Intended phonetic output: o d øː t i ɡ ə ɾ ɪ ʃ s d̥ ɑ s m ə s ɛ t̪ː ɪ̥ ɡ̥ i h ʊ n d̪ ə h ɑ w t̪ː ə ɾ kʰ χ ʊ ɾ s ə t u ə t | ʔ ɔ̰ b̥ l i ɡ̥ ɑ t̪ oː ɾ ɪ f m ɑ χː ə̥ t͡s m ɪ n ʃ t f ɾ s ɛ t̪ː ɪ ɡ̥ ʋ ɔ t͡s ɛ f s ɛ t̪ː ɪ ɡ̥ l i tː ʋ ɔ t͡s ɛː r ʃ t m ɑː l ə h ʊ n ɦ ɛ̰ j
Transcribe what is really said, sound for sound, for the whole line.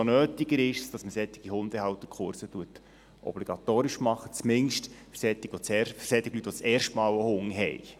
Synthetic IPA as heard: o n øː t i ɡ ə ɾ ɪ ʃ s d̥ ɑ s m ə s ɛ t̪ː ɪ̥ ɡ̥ i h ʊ n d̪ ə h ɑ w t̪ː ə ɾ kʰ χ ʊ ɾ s ə t u ə t | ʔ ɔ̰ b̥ l i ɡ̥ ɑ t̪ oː ɾ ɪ ʃ m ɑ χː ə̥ t͡s m ɪ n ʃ t f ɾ s ɛ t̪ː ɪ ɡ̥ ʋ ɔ t͡s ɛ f s ɛ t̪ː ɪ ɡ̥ l y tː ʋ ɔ t͡s ɛː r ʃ t m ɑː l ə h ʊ ŋ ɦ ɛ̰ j